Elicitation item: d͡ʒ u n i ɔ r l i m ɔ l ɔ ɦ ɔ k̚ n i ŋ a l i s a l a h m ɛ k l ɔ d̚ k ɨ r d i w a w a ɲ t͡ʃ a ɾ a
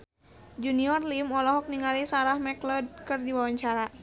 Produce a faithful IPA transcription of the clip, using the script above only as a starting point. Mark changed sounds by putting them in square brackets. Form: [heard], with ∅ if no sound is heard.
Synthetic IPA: d͡ʒ u n i ɔ r l i m ɔ l ɔ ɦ ɔ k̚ n i ŋ a l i s a [ɾ] a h m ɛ k l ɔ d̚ k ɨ r d i w a w a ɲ t͡ʃ a ɾ a